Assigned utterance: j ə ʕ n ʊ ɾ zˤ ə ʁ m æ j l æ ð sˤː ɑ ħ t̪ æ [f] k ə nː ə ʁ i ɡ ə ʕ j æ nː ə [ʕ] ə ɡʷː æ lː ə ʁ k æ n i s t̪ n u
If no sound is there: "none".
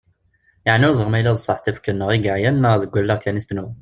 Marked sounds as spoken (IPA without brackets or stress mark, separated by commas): f, ð